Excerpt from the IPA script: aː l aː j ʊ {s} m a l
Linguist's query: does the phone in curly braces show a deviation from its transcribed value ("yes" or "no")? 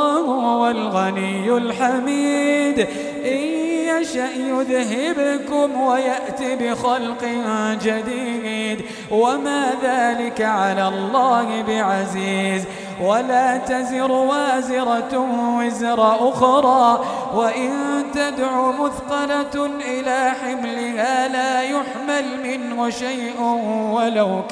yes